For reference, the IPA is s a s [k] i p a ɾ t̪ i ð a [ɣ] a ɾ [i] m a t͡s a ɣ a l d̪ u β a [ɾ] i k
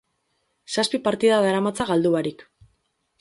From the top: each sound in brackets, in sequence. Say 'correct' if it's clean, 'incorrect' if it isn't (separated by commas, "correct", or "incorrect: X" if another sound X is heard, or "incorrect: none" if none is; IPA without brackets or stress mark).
incorrect: p, incorrect: ð, incorrect: a, correct